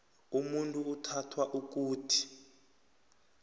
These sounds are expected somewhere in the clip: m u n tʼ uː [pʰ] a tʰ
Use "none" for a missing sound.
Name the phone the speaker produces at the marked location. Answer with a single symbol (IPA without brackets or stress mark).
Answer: tʰ